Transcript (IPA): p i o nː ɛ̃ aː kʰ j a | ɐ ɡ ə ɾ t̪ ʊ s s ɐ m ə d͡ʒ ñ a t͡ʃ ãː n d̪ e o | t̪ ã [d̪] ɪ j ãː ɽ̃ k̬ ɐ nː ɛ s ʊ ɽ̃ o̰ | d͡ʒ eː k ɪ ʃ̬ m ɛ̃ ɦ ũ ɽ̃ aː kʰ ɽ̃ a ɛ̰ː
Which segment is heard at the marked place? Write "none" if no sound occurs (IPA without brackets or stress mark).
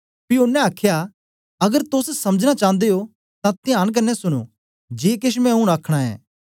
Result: t̪